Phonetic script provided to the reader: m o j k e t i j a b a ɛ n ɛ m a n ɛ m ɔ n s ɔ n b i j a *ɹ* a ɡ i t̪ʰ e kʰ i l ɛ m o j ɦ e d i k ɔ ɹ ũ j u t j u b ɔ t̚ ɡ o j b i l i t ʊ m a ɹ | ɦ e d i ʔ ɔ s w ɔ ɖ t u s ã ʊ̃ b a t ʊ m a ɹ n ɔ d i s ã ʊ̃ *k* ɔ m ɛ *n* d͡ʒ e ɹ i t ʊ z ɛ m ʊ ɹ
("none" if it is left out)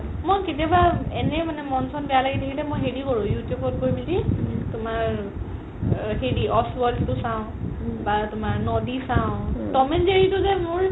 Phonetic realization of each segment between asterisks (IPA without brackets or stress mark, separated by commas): l, t, n